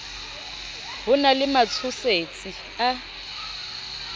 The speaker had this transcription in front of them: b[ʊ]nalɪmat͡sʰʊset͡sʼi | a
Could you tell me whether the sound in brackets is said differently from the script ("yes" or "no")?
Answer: no